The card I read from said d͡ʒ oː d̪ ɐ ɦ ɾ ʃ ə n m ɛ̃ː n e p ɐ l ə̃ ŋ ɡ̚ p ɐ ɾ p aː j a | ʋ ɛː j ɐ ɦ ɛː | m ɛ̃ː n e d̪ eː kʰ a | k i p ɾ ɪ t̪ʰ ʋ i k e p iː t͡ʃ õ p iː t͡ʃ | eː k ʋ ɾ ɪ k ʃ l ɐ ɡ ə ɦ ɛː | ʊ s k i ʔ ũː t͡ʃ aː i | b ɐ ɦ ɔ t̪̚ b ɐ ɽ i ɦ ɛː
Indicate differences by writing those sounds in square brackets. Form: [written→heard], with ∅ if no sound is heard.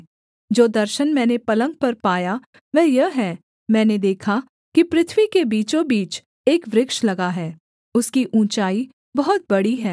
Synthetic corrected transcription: d͡ʒ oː d̪ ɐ [ɦ→∅] ɾ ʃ ə n m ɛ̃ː n e p ɐ l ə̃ ŋ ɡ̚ p ɐ ɾ p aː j a | ʋ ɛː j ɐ ɦ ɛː | m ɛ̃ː n e d̪ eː kʰ a | k i p ɾ ɪ t̪ʰ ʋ i k e [p→b] iː t͡ʃ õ [p→b] iː t͡ʃ | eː k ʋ ɾ ɪ k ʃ l ɐ ɡ [ə→a] ɦ ɛː | ʊ s k i ʔ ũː t͡ʃ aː i | b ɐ ɦ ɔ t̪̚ b ɐ ɽ i ɦ ɛː